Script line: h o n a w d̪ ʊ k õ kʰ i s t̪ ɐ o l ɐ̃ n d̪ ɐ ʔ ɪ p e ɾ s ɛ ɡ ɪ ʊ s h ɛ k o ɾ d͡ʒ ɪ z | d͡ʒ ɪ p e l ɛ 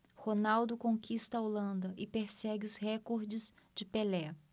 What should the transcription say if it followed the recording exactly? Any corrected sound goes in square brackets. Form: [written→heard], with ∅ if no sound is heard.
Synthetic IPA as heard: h o n a w d̪ ʊ k õ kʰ i s t̪ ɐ o l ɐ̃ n d̪ ɐ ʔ ɪ p e ɾ s ɛ ɡ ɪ ʊ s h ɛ k o ɾ d͡ʒ ɪ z | d͡ʒ ɪ p e l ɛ